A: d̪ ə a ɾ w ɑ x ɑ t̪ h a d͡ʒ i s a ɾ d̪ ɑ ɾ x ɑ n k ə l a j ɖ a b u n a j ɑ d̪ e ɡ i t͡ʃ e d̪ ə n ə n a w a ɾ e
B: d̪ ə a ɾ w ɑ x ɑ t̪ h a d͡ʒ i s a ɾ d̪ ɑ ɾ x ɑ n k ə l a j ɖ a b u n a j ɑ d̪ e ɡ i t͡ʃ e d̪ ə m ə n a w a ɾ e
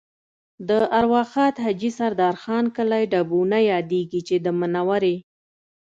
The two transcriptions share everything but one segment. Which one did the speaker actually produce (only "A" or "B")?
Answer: B